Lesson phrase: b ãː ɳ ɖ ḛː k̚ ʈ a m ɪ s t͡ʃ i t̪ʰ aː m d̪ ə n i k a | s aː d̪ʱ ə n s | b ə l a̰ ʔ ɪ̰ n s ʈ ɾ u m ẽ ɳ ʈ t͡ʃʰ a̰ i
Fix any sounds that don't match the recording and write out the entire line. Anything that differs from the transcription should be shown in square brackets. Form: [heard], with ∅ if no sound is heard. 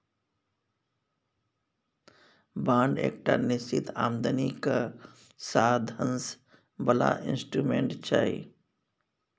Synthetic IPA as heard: b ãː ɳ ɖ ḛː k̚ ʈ a [n] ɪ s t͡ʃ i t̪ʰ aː m d̪ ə n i k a | s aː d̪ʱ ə n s | b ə l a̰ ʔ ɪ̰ n s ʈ ɾ u m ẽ ɳ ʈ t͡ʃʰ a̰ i